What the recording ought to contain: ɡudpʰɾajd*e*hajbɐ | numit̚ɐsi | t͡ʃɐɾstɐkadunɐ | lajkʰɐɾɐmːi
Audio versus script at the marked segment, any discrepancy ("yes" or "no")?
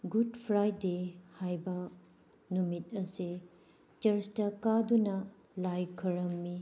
no